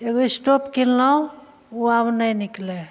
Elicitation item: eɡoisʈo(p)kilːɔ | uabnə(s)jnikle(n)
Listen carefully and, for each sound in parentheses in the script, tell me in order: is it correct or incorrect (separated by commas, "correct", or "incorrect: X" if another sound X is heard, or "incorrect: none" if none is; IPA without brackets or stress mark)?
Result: correct, incorrect: none, incorrect: none